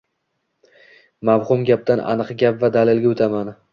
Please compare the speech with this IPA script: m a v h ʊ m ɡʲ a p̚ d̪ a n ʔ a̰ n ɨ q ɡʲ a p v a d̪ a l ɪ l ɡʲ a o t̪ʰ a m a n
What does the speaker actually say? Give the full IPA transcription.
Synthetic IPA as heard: m a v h ʊ m ɡʲ a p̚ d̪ a n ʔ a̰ n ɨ q ɡʲ a p v a d̪ a l ɪ l ɡʲ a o t̪ʰ a m a n